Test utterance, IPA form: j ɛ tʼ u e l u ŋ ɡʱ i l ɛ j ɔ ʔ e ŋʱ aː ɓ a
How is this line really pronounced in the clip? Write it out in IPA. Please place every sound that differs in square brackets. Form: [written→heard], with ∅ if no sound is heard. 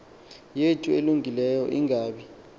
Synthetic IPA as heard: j [ɛ→e] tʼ u e l u ŋ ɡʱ i l ɛ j ɔ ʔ [e→i] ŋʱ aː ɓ [a→i]